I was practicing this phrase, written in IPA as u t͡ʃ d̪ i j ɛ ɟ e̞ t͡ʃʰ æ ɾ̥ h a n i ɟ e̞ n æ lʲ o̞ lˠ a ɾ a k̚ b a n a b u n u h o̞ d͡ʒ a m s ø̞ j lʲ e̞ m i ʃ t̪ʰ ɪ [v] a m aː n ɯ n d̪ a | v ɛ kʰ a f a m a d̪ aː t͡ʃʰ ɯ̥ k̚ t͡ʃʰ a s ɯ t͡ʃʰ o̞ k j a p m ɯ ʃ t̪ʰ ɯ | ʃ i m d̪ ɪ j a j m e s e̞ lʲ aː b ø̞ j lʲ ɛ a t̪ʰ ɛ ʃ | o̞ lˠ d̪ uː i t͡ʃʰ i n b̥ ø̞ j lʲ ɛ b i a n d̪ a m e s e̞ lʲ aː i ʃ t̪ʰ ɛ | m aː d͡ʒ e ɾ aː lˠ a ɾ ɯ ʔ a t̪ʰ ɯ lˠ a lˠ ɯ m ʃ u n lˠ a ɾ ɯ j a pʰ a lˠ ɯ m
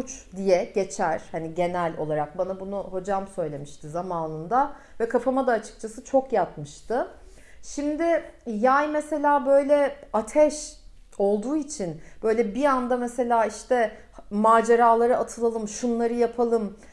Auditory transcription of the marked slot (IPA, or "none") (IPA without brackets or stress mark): z